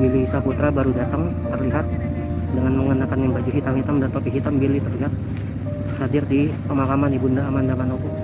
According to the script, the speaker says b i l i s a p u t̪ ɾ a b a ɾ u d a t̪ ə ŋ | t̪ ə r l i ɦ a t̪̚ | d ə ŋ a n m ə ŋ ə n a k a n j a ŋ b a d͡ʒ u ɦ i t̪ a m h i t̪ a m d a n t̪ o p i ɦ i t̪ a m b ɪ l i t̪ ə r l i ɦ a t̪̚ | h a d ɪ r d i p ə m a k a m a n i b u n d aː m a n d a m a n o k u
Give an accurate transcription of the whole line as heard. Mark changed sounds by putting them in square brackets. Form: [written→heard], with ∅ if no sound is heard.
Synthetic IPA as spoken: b i l i s a p u t̪ ɾ a b a ɾ u d a t̪ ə ŋ | t̪ ə r l i ɦ a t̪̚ | d ə ŋ a n m ə ŋ ə n a k a n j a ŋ b a d͡ʒ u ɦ i t̪ a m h i t̪ a m d a n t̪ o p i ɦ i t̪ a m b [ɪ→i] l i t̪ ə r l i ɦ a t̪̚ | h a d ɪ r d i p ə m a k a m a n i b u n d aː m a n d a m a n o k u